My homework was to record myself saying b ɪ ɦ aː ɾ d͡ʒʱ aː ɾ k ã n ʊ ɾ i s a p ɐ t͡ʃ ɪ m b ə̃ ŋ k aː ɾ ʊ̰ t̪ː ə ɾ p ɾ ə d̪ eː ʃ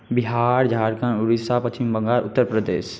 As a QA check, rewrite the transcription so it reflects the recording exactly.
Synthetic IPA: b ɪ ɦ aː ɾ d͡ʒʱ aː ɾ k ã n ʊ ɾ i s a p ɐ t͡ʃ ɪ m b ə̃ ŋ ɡ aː ɾ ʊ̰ t̪ː ə ɾ p ɾ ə d̪ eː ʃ